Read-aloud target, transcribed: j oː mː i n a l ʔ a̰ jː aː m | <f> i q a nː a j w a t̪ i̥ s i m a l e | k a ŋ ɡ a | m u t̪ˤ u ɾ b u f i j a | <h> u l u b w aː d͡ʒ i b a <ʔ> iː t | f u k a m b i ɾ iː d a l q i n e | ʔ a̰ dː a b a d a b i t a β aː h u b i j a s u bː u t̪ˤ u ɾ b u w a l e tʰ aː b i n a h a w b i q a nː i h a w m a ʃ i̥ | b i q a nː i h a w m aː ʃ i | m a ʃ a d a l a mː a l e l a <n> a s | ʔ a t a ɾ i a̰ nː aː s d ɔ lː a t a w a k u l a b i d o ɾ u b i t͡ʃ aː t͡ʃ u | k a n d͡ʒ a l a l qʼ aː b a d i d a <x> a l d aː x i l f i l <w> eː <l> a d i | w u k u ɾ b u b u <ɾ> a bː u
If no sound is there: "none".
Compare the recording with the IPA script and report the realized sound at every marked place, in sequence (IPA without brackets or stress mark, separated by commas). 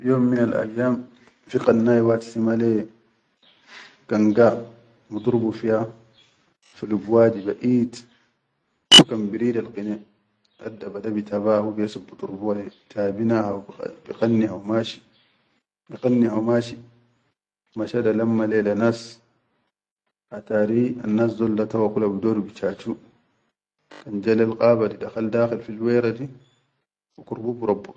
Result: f, f, ʔ, n, x, w, ɾ, ɾ